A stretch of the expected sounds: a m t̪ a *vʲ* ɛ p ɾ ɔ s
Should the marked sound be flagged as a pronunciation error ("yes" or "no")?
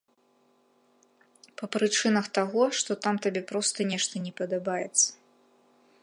yes